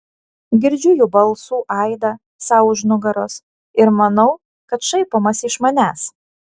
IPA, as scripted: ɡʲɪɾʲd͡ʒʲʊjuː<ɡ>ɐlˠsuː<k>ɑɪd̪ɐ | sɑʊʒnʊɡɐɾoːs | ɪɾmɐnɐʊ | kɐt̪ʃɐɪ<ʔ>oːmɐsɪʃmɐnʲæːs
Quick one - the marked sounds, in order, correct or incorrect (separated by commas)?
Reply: incorrect, incorrect, incorrect